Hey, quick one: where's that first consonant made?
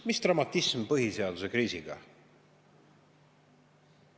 lips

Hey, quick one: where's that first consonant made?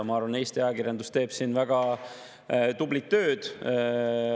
lips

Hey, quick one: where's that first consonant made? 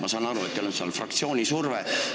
lips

